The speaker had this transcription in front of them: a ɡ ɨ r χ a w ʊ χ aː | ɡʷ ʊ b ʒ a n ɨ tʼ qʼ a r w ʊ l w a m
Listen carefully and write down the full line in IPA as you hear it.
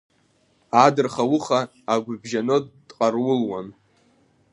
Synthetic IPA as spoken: a d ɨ r χ a w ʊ χ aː | ɡʷ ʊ b ʒ a n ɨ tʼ qʼ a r w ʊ l w a n